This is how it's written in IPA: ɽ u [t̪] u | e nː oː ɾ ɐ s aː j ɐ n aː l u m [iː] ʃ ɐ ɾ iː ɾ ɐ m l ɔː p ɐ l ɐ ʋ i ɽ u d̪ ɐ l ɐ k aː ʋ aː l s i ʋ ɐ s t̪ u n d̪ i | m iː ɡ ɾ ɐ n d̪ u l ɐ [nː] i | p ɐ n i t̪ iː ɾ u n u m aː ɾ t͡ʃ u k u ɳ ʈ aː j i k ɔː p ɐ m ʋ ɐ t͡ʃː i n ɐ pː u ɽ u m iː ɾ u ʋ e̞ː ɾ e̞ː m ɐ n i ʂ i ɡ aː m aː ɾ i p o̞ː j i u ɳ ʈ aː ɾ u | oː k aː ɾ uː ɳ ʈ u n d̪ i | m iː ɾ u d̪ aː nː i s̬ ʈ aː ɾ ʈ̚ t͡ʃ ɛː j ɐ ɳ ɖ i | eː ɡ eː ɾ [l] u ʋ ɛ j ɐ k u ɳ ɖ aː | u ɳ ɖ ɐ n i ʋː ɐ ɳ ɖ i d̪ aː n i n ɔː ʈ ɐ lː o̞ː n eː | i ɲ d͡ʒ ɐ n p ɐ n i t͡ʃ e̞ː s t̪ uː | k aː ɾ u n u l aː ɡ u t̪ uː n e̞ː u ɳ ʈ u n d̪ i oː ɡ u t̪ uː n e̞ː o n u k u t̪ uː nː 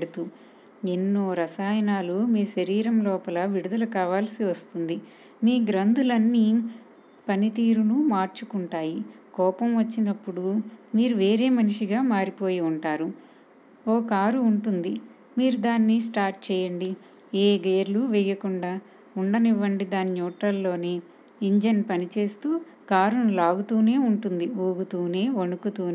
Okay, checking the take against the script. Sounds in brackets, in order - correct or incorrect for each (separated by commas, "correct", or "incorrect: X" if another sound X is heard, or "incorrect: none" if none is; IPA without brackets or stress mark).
correct, correct, correct, correct